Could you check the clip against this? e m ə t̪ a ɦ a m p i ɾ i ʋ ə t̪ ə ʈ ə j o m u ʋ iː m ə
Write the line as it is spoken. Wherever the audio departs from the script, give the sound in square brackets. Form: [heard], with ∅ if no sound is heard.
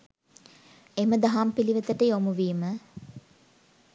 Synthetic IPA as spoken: e m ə [d̪] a ɦ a m p i [l] i ʋ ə t̪ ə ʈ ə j o m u ʋ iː m ə

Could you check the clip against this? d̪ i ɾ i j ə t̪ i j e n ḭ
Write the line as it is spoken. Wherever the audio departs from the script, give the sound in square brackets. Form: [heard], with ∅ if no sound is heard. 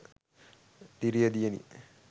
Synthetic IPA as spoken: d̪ i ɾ i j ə [d̪] i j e n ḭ

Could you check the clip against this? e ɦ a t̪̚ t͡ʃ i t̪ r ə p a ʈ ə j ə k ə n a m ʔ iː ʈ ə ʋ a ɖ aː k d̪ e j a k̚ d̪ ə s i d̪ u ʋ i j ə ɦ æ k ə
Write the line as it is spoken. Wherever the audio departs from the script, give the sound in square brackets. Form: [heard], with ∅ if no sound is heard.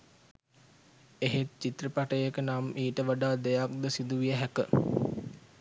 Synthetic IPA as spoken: e ɦ [e] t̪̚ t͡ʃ i t̪ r ə p a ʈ ə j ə k ə n a m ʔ iː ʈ ə ʋ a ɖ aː [∅] d̪ e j a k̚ d̪ ə s i d̪ u ʋ i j ə ɦ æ k ə

